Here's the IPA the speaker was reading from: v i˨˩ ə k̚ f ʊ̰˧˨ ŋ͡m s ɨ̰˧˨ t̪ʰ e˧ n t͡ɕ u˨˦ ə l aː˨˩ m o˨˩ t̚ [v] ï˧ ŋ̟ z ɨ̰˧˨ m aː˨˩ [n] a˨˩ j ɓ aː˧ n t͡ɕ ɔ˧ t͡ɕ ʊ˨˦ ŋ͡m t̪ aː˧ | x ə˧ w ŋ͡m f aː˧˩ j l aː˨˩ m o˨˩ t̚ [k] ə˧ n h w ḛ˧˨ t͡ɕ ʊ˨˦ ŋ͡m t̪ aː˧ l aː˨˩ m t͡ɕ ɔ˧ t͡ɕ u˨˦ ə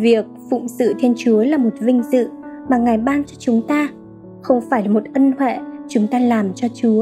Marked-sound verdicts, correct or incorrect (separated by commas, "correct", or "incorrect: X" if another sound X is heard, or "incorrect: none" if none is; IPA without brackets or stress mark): correct, incorrect: ŋ, incorrect: ʔ